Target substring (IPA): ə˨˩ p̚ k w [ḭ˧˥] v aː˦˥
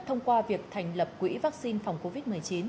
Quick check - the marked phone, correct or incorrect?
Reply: correct